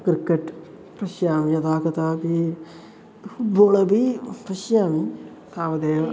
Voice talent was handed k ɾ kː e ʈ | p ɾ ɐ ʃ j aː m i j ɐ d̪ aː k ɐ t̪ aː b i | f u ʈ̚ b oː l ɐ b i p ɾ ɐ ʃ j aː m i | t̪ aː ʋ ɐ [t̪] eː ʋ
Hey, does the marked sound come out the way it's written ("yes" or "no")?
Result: no